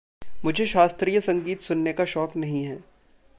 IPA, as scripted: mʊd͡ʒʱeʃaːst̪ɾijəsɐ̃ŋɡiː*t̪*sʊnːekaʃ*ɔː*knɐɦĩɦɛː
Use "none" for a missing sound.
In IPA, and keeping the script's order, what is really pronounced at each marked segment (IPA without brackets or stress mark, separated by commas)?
t̪, ɔː